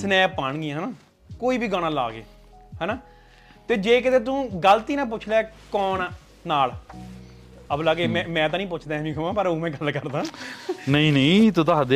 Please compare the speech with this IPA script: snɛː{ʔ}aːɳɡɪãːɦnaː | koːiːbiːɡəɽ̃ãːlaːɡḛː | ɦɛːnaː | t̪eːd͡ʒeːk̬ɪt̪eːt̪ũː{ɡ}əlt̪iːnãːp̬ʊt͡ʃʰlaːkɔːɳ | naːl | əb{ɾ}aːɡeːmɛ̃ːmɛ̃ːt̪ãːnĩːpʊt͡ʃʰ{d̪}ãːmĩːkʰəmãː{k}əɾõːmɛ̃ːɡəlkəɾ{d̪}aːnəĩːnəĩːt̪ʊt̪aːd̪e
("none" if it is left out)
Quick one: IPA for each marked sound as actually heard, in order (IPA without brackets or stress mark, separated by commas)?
p, ɡ, l, d̪, p, d̪